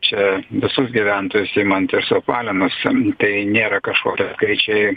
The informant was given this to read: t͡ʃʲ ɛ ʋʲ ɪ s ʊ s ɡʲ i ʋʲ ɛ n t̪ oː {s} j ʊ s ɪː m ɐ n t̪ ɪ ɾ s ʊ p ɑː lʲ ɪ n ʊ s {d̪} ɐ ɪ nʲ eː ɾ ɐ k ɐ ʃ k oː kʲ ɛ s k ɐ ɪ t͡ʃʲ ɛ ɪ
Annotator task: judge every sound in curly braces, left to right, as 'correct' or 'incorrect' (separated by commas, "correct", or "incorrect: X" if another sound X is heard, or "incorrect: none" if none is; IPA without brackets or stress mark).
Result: incorrect: none, incorrect: t̪